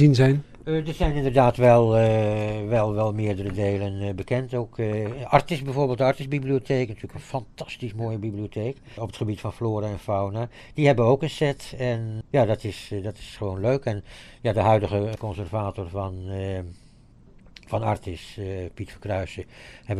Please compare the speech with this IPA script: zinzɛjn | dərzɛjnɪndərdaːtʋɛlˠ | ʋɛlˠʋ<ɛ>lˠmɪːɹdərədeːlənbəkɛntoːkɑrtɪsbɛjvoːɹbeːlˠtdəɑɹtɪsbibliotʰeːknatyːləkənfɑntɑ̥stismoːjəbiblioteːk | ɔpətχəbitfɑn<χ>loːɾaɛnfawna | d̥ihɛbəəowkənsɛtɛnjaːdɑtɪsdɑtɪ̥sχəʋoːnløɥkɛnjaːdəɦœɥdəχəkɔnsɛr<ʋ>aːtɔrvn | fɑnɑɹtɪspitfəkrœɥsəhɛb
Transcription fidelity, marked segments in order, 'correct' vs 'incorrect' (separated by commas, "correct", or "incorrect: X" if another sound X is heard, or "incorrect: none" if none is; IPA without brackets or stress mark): correct, incorrect: f, incorrect: v